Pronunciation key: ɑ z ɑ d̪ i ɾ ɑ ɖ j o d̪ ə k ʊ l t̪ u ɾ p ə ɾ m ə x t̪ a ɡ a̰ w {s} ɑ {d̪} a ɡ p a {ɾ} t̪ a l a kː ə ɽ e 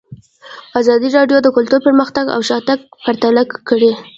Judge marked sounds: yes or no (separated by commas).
no, no, yes